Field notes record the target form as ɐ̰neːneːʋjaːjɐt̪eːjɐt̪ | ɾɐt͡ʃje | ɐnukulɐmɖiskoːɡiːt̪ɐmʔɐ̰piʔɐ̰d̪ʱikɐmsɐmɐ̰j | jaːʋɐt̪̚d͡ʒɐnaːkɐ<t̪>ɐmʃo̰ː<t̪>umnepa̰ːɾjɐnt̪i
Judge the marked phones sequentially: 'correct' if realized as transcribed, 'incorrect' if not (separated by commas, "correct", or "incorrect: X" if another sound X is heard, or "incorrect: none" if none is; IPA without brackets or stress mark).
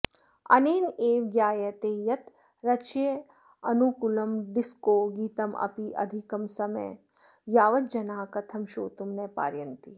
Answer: incorrect: t̪ʰ, correct